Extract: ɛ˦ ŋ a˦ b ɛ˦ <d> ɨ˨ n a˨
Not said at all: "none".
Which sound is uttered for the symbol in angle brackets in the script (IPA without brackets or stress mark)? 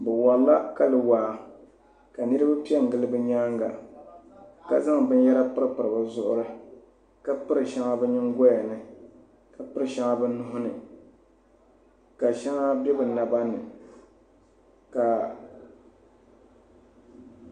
b